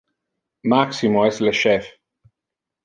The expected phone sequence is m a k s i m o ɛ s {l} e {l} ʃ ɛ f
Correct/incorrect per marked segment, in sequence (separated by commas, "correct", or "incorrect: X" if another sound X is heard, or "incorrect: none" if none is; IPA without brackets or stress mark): correct, incorrect: none